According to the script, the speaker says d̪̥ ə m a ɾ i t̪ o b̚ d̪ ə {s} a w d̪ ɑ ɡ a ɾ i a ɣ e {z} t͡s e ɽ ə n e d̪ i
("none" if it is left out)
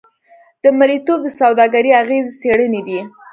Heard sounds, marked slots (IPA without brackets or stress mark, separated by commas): s, z